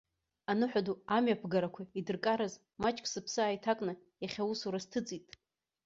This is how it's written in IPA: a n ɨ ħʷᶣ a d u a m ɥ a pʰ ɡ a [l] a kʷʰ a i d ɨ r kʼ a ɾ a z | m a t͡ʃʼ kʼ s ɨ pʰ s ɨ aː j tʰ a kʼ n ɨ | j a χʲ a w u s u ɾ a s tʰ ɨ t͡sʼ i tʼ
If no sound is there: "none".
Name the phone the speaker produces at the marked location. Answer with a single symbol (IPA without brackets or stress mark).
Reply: ɾ